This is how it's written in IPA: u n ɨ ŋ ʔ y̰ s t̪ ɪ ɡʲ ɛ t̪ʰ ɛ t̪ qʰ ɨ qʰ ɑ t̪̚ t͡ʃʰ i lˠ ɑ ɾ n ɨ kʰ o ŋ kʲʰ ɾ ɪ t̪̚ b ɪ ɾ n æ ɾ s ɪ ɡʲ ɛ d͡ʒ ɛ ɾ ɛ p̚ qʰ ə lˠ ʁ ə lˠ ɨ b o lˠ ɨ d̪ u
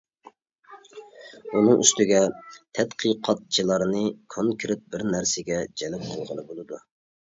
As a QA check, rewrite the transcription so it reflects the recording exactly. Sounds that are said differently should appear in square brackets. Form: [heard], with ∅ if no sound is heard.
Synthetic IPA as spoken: u n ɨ ŋ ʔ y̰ s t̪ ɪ ɡʲ ɛ t̪ʰ ɛ t̪ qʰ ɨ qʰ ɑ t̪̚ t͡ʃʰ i lˠ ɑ ɾ n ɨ kʰ o ŋ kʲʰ ɾ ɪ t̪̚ b ɪ ɾ n æ ɾ s ɪ ɡʲ ɛ d͡ʒ ɛ [l] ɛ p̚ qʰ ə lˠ ʁ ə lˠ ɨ b o lˠ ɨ d̪ u